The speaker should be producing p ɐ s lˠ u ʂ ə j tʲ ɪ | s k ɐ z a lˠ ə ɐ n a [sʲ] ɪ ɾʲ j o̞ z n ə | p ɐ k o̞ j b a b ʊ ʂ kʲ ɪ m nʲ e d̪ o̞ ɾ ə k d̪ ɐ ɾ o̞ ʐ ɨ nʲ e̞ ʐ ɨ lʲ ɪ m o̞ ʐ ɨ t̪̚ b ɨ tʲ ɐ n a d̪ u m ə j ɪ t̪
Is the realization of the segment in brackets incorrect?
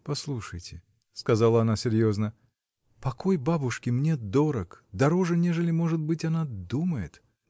no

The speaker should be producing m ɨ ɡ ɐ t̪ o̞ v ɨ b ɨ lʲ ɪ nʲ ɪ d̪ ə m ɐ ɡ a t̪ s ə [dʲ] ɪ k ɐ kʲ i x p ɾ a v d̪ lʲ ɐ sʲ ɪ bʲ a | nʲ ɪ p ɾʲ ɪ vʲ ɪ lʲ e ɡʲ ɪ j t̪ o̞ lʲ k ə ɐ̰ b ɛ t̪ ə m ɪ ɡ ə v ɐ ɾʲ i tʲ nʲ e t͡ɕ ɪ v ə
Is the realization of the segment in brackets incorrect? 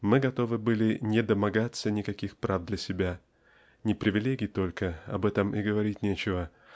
yes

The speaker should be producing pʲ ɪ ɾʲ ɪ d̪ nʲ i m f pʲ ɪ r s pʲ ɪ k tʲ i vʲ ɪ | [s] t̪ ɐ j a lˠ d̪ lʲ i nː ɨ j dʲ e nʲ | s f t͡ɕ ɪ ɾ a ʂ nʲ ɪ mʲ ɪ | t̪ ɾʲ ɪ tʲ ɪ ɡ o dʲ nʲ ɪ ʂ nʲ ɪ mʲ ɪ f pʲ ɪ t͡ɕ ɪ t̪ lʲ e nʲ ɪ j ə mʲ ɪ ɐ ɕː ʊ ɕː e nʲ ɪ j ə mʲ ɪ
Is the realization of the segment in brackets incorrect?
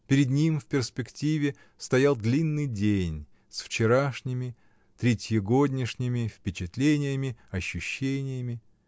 no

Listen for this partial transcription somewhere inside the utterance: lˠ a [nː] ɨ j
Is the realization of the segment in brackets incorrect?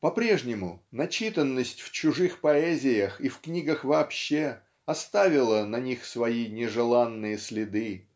no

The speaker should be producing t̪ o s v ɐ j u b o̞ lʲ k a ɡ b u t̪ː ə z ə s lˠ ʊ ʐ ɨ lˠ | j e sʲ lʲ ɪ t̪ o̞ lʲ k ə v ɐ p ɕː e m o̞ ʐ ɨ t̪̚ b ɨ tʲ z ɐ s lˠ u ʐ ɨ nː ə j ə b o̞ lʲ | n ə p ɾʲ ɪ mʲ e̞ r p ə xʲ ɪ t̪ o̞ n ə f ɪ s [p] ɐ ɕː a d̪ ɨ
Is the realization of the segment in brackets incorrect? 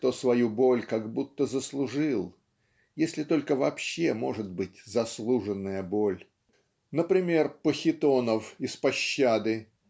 no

